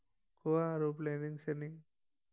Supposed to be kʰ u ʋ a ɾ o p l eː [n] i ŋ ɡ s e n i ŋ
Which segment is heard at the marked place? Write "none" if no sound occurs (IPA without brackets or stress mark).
n